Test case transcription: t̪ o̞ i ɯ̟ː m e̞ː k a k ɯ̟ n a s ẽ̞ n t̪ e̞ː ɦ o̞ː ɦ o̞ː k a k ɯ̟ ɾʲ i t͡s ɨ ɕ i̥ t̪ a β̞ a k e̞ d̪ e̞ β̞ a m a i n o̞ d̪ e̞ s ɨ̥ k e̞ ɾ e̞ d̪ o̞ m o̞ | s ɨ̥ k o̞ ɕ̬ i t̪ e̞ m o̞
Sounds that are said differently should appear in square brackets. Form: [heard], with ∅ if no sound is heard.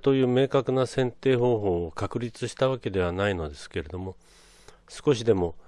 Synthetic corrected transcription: t̪ o̞ [j] ɯ̟ː m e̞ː k a k ɯ̟ n a s ẽ̞ n t̪ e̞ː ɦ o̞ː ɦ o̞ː k a k ɯ̟ ɾʲ i t͡s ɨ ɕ i̥ t̪ a β̞ a k e̞ d̪ e̞ β̞ a [n] a i n o̞ d̪ e̞ s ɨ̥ k e̞ ɾ e̞ d̪ o̞ m o̞ | s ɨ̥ k o̞ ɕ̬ i [d̪] e̞ m o̞